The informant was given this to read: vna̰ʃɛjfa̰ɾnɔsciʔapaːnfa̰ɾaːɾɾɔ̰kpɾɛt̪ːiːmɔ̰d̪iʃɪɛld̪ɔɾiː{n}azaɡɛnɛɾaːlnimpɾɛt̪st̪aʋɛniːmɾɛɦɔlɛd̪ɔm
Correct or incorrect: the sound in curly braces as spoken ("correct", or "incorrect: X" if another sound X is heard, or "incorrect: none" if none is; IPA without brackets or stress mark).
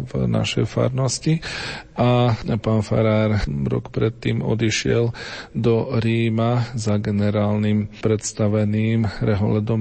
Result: incorrect: m